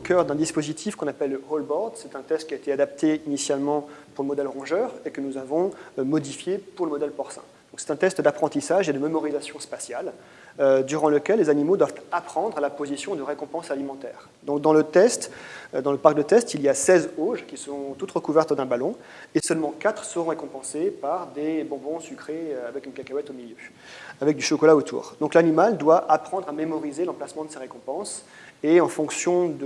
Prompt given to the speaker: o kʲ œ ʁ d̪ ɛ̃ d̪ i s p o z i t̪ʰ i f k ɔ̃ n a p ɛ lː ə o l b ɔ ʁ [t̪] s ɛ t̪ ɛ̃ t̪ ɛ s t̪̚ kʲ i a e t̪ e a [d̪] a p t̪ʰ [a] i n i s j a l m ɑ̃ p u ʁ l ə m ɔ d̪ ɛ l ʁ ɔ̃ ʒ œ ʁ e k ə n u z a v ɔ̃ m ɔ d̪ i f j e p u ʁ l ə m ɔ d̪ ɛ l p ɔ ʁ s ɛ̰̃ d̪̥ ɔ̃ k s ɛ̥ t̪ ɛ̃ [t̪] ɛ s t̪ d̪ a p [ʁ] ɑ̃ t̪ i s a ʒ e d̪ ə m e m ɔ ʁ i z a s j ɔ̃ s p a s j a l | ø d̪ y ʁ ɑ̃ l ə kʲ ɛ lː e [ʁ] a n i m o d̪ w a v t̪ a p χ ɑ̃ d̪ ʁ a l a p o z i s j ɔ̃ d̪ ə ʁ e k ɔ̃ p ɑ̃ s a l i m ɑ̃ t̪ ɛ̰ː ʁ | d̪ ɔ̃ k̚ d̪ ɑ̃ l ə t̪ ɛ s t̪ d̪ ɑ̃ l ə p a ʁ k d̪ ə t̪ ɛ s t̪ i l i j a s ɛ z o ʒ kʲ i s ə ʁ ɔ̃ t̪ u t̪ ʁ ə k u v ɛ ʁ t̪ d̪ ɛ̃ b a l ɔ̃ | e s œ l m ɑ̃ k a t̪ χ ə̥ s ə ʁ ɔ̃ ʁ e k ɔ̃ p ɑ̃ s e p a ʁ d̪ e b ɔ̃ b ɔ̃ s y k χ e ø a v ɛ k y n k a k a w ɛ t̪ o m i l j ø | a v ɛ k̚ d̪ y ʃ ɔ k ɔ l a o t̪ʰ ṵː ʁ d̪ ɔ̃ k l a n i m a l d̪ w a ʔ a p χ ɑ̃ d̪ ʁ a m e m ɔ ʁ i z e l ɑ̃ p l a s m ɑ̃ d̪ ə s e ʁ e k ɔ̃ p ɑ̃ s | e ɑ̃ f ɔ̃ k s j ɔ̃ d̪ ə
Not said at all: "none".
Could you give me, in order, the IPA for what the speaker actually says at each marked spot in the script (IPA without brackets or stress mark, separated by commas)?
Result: d̪, d̪, e, t̪, χ, z